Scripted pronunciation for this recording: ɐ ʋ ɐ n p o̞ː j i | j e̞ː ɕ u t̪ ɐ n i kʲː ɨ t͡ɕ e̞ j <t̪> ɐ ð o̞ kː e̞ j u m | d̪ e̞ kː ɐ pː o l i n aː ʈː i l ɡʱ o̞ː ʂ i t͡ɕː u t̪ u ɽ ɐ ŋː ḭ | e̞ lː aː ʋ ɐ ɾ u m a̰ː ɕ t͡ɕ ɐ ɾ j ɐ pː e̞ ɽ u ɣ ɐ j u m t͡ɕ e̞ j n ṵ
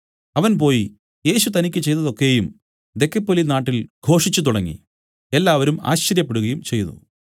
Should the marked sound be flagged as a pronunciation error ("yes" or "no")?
no